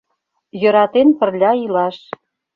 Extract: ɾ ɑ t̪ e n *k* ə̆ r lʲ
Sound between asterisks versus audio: incorrect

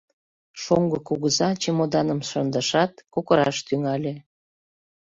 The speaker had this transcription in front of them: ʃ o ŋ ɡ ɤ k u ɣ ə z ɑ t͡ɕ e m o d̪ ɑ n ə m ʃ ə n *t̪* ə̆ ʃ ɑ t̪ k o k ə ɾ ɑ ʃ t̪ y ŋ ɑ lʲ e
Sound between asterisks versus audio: incorrect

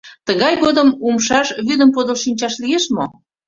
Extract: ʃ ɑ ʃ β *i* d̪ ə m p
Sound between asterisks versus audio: incorrect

